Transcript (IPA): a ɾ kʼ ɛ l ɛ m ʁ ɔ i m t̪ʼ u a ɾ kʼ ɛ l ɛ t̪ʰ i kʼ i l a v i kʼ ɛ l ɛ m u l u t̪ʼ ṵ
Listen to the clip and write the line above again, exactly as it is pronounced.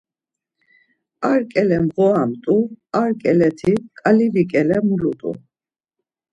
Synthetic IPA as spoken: a ɾ kʼ ɛ l ɛ m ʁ ɔ a m t̪ʼ u a ɾ kʼ ɛ l ɛ t̪ʰ i kʼ a l i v i kʼ ɛ l ɛ m u l u t̪ʼ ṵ